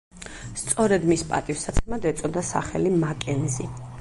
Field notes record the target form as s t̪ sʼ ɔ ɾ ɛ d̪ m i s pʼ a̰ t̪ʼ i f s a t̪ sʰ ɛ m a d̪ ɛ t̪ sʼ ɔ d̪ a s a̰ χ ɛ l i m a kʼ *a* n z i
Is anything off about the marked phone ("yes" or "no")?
yes